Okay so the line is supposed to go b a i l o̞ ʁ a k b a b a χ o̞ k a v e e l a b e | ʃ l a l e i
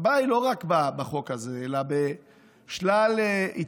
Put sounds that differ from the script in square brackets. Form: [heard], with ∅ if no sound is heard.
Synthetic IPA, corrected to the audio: b a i l o̞ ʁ a k b a b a χ o̞ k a [z] e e l a b e | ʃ l a l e i